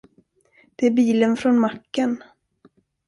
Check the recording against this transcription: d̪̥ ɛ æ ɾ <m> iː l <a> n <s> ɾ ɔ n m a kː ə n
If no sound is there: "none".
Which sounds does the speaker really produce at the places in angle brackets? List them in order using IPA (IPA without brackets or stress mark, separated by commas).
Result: b, ə, f